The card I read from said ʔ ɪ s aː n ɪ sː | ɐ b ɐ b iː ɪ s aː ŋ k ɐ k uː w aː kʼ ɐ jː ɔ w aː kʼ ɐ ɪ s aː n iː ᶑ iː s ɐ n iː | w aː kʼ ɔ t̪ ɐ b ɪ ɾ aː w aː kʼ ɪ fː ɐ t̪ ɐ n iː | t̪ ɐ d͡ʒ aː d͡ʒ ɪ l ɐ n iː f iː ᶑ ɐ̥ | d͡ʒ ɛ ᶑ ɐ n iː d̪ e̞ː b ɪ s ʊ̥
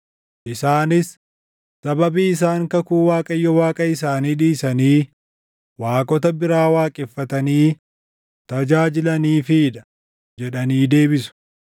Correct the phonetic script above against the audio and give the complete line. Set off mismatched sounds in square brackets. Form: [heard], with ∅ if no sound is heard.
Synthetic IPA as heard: ʔ ɪ s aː n ɪ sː | ɐ b ɐ b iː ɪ s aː ŋ k ɐ k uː w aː kʼ ɐ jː ɔ w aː kʼ ɐ ɪ s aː n iː ᶑ iː s ɐ n iː | w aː kʼ ɔ t̪ ɐ b ɪ ɾ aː w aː kʼ ɪ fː ɐ t̪ ɐ n iː | t̪ ɐ d͡ʒ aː d͡ʒ ɪ l ɐ n iː f iː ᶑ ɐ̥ | d͡ʒ ɛ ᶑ ɐ n iː d̪ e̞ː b ɪ s ʊ̥